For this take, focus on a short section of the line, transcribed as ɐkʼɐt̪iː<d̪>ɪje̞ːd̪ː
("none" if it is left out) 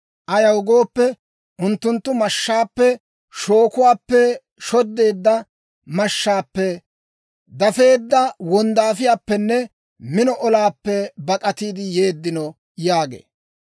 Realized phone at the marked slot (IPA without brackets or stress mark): d̪